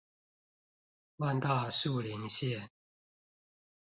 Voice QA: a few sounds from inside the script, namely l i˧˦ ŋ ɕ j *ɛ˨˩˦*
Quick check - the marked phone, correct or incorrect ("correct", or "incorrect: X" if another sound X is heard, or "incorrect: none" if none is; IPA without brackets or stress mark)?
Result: incorrect: ɛ˥˨